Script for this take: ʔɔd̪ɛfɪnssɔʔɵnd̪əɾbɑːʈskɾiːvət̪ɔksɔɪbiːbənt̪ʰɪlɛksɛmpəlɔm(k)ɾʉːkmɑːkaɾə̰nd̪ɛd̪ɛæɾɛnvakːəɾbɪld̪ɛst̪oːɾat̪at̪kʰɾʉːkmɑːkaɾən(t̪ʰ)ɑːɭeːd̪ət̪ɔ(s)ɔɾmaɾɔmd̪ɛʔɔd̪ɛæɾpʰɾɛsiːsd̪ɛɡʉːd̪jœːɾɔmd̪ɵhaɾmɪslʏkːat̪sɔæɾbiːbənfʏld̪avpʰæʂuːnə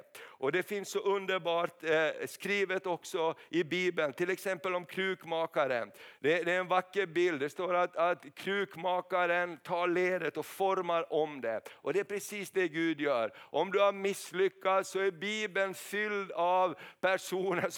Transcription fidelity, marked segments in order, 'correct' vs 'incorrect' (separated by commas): incorrect, correct, incorrect